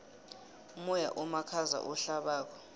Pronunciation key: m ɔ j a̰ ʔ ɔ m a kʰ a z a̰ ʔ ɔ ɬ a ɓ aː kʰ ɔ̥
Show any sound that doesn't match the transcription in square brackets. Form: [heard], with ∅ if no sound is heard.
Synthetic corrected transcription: m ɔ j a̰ ʔ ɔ m a kʰ a z a̰ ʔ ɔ ɬ a ɓ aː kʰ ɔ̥